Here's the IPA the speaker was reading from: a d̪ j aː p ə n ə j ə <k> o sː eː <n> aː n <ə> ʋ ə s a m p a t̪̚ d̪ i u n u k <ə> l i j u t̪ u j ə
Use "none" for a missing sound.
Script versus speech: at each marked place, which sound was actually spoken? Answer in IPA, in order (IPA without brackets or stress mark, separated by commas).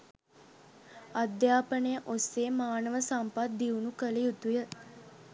ʔ, m, ə, ə